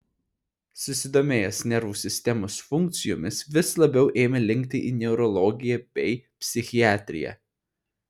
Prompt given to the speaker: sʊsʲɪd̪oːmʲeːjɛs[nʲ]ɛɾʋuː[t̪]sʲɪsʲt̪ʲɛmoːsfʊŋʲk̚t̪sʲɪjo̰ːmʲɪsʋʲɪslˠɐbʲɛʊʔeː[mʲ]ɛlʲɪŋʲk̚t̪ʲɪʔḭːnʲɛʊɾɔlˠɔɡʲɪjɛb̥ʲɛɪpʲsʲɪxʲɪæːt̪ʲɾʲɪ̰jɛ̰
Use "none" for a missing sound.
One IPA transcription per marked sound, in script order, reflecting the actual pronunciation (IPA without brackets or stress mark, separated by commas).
nʲ, none, mʲ